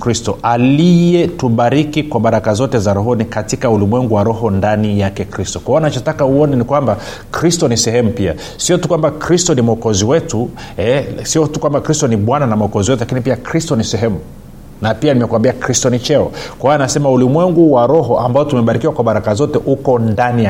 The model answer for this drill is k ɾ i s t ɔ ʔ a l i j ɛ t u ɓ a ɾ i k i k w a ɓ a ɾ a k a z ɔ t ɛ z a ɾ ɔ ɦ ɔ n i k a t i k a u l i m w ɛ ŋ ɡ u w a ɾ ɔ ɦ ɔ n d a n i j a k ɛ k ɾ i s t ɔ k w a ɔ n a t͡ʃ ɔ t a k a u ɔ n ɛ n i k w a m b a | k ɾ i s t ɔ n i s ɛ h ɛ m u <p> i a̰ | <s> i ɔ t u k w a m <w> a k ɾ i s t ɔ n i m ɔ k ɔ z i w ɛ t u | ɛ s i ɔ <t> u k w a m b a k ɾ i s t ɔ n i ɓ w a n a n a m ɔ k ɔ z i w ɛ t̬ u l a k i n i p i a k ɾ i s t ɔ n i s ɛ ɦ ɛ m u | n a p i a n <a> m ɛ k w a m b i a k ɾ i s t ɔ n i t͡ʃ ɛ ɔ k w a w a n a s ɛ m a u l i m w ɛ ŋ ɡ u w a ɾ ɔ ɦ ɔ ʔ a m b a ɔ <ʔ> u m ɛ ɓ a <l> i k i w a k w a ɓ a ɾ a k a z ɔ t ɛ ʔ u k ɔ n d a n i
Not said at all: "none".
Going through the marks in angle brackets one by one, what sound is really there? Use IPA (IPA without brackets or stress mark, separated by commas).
p, s, b, t, i, t, ɾ